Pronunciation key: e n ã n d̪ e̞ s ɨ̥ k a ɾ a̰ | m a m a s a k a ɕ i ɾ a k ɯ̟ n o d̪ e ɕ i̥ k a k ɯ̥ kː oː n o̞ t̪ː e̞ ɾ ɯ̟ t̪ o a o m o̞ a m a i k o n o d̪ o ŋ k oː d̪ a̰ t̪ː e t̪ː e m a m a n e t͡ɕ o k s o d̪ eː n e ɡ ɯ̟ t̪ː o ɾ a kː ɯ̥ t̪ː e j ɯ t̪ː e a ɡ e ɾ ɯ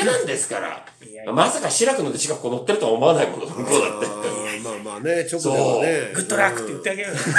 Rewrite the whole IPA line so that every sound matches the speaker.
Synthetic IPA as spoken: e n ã n d̪ e̞ s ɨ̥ k a ɾ a̰ | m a m a s a k a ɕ i ɾ a k ɯ̟ n o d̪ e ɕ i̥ k a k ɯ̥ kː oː n o̞ t̪ː e̞ ɾ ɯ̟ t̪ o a o m o̞ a n a i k o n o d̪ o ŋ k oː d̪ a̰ t̪ː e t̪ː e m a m a n e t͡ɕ o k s o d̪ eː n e ɡ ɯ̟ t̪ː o ɾ a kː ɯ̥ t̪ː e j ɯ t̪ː e a ɡ e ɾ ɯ